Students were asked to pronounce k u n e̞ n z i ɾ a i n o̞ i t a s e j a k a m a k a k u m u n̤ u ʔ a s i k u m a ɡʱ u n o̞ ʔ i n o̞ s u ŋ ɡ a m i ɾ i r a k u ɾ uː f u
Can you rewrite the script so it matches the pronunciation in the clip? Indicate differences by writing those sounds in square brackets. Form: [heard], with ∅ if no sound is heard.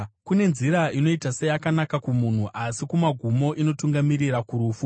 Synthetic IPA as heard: k u n e̞ n z i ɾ a i n o̞ i t a s e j a k a [n] a k a k u m u n̤ u ʔ a s i k u m a ɡʱ u [m] o̞ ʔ i n o̞ [t] u ŋ ɡ a m i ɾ i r a k u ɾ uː f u